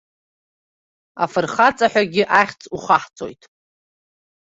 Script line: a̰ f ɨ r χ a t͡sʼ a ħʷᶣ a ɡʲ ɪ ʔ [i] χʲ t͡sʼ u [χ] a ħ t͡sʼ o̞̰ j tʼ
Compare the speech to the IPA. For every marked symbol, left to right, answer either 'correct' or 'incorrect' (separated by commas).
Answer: incorrect, correct